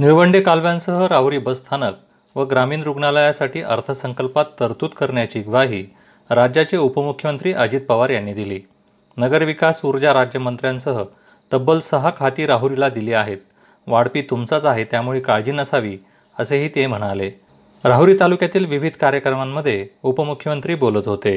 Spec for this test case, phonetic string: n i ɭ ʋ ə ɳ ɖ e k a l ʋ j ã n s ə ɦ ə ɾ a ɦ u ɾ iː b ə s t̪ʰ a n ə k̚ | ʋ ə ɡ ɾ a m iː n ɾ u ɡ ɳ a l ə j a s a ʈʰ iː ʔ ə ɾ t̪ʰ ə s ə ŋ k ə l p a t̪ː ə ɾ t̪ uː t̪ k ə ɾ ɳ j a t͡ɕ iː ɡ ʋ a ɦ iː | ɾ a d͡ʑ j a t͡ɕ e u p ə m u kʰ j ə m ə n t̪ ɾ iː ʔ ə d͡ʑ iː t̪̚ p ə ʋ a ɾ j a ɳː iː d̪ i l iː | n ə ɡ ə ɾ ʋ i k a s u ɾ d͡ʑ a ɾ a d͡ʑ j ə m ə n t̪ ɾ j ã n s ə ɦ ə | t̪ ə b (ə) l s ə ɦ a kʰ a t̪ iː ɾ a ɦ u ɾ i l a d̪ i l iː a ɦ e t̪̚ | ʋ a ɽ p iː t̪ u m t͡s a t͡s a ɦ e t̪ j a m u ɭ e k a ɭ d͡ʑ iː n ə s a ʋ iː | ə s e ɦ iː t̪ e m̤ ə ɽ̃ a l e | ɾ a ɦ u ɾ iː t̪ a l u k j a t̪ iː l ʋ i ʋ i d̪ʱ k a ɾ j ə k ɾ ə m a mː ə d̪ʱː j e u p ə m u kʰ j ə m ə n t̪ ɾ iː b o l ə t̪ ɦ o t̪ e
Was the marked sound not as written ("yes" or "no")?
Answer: no